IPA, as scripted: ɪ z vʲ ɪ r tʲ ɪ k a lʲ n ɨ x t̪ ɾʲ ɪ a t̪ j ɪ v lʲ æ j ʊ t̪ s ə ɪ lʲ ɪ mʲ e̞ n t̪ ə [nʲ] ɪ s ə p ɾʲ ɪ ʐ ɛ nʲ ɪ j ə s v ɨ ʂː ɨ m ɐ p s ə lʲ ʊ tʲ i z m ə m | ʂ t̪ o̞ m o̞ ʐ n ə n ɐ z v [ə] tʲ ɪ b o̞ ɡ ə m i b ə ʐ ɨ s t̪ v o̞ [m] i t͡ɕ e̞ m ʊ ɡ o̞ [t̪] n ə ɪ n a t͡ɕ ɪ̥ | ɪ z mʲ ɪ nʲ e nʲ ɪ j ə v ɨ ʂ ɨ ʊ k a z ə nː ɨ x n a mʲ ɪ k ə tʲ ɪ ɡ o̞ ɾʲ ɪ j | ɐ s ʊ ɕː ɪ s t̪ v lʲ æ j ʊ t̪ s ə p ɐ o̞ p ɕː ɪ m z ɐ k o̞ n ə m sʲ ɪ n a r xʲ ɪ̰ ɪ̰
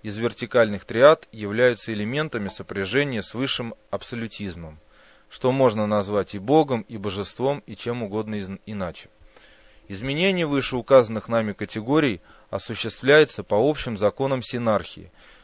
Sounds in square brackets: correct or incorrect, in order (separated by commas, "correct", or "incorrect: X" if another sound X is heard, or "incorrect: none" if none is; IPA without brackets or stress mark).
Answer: incorrect: mʲ, incorrect: a, correct, incorrect: d̪